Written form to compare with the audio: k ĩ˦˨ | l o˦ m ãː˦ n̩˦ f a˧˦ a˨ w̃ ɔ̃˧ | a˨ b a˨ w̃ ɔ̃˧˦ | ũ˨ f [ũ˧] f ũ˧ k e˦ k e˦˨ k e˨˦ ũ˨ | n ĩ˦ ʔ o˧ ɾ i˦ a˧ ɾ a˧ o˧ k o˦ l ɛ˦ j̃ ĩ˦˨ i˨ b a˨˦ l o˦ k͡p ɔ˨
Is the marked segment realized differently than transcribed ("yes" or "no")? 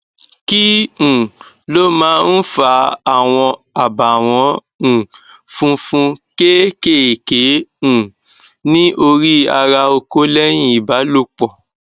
no